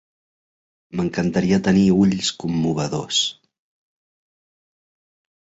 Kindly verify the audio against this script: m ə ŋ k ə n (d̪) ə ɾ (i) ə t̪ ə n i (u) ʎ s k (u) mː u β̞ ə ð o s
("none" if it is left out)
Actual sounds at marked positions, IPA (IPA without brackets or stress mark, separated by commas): t̪, i, u, u